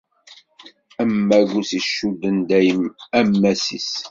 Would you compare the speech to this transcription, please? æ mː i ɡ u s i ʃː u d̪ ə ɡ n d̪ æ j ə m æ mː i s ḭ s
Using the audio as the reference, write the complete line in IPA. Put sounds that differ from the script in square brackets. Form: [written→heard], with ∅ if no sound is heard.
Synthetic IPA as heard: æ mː [i→æ] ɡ u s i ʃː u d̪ ə [ɡ→∅] n d̪ æ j ə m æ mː [i→æ] s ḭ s